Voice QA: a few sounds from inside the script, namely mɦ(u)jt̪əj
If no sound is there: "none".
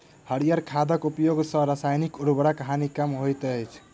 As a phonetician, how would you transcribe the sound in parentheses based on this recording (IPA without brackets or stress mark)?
o